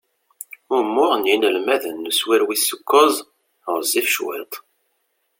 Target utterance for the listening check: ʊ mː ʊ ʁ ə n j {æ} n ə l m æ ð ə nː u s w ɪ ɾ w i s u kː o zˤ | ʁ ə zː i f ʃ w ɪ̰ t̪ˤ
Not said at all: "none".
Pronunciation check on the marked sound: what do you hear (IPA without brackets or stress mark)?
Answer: i